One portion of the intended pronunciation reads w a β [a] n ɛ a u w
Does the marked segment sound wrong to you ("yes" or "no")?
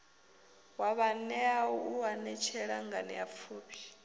no